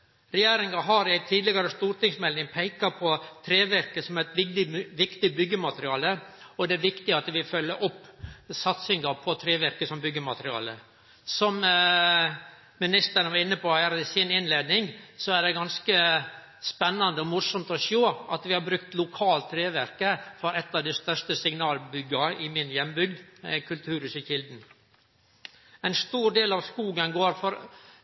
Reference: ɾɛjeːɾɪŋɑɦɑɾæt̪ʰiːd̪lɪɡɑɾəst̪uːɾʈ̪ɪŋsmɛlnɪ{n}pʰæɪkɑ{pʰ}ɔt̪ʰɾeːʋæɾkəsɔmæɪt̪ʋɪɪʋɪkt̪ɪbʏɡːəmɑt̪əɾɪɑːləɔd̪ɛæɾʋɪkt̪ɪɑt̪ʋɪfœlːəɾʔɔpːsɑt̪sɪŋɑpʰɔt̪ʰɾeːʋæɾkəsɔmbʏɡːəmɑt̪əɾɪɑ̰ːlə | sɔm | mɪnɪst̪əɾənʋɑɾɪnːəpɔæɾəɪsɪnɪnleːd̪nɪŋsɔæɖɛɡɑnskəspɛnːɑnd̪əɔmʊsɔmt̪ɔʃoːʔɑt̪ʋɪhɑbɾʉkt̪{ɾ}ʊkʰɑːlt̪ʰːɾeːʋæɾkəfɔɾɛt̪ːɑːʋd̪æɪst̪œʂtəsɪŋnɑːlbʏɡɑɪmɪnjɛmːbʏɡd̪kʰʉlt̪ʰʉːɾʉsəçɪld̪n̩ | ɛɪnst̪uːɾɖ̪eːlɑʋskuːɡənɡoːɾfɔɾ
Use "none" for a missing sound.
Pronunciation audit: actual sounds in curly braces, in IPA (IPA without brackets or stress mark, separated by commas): ŋ, pʰ, l